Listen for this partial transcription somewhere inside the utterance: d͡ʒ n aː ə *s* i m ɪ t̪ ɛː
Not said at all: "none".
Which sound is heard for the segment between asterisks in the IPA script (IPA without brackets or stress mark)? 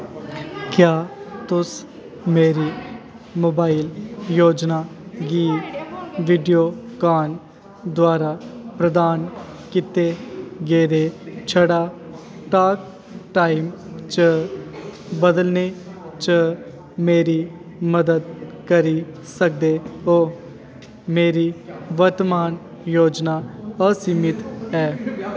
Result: s